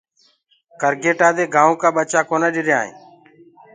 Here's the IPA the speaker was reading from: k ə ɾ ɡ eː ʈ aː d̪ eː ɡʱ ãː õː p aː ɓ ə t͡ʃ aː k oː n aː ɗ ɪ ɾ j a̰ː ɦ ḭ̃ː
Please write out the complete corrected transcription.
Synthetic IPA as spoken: k ə ɾ ɡ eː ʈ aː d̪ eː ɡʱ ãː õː k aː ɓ ə t͡ʃ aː k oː n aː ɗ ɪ ɾ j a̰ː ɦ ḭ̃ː